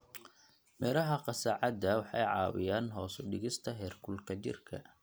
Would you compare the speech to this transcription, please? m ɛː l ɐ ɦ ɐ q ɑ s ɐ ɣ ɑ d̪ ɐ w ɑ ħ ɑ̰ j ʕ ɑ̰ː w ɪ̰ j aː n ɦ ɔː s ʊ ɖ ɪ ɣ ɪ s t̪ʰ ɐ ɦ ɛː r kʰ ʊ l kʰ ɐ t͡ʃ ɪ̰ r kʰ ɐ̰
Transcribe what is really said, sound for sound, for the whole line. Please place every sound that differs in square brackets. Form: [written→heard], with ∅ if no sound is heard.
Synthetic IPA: m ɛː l ɐ ɦ ɐ q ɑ s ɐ [ɣ→ʕ] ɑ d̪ ɐ w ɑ ħ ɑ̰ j ʕ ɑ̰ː w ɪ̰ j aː n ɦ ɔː s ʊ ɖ ɪ ɣ ɪ s t̪ʰ ɐ ɦ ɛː r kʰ ʊ l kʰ ɐ t͡ʃ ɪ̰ r kʰ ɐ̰